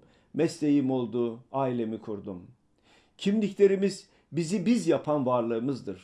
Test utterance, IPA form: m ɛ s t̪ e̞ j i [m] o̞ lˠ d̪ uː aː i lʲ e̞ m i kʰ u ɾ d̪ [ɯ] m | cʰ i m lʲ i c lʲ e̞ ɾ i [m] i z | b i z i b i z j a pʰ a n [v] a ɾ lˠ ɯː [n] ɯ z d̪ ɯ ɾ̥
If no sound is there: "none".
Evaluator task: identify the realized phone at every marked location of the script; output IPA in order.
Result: m, u, m, v, m

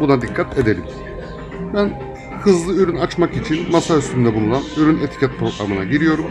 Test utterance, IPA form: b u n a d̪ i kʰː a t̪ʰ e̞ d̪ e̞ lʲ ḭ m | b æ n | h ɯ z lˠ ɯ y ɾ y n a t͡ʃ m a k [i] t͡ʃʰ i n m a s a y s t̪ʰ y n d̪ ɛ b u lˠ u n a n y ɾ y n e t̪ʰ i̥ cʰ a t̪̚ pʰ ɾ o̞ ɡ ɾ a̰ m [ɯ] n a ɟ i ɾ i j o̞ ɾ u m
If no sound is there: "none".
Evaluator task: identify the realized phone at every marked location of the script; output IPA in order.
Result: i, ɯ

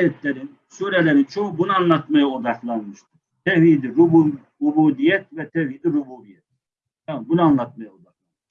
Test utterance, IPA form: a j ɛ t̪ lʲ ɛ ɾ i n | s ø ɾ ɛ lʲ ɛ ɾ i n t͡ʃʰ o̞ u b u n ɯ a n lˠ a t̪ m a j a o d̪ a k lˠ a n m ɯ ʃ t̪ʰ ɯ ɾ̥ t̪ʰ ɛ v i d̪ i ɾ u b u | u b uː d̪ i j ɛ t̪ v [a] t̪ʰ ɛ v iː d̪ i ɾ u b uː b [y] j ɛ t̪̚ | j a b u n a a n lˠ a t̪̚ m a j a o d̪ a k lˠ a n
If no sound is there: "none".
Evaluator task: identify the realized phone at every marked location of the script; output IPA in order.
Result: ɛ, i

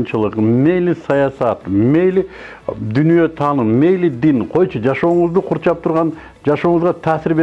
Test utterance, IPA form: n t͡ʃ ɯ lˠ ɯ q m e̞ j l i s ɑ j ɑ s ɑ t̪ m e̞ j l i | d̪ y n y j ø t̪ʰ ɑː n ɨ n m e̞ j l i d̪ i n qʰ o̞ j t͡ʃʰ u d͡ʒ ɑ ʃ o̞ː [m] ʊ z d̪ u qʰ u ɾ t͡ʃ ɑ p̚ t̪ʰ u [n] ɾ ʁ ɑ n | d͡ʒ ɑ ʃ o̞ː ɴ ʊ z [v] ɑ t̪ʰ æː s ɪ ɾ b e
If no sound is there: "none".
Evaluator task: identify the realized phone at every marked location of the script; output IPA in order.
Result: ɴ, none, ʁ

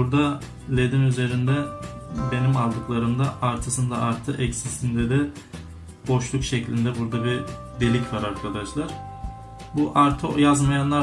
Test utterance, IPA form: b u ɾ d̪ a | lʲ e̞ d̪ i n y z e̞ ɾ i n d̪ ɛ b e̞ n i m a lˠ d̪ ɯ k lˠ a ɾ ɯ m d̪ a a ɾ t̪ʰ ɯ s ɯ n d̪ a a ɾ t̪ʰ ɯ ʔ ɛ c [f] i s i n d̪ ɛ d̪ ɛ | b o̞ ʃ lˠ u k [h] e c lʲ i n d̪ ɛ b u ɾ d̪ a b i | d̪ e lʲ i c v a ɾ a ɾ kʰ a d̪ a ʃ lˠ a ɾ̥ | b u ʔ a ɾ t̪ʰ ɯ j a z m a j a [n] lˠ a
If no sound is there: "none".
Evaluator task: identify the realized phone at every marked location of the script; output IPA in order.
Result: s, ʃ, n

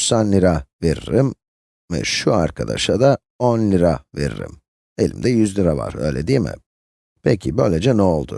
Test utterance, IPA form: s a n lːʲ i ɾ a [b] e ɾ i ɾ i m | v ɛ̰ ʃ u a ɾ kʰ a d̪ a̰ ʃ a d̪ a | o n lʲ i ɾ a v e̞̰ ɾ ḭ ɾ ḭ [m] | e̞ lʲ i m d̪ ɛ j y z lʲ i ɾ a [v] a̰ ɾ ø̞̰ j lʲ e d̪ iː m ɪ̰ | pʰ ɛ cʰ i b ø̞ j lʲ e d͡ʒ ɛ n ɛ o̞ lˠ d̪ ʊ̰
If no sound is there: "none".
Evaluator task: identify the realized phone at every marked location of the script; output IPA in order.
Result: v, m, v

